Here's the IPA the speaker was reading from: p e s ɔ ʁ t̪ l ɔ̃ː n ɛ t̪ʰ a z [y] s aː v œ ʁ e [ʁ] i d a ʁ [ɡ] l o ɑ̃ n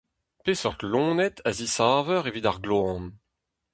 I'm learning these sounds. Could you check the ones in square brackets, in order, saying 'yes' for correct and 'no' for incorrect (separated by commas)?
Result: no, no, yes